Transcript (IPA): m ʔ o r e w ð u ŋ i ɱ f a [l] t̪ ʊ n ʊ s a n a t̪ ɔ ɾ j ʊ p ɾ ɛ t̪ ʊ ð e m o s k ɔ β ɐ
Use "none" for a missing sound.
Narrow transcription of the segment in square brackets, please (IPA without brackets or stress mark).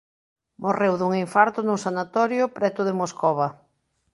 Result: ɾ